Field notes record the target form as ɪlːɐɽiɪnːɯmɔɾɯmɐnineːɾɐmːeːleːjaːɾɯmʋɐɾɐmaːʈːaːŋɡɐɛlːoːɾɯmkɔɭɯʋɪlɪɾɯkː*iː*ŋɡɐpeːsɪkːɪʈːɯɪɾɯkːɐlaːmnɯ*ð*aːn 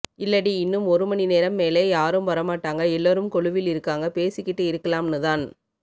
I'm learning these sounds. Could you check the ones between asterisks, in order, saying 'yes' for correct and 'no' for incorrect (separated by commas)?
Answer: no, yes